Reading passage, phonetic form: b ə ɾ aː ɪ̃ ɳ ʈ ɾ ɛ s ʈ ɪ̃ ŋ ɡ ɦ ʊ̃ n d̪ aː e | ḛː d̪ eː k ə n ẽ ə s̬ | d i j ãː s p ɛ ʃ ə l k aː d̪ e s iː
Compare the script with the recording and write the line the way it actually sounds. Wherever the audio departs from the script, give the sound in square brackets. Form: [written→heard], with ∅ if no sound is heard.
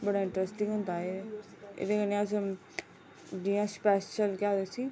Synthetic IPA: b ə [ɾ→ɽ] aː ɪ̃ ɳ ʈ ɾ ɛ s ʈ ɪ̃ ŋ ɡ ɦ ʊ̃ n d̪ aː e | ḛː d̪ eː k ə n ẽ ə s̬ | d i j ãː s p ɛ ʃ ə l k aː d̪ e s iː